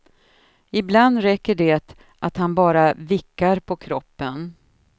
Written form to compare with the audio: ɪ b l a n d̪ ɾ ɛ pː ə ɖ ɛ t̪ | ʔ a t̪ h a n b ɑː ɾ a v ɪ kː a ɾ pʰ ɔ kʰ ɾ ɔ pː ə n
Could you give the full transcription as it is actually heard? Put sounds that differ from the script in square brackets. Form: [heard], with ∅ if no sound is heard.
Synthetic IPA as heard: ɪ b l a n d̪ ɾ ɛ [kː] ə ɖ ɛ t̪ | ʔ a t̪ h a n b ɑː ɾ a v ɪ kː a ɾ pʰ ɔ kʰ ɾ ɔ pː ə n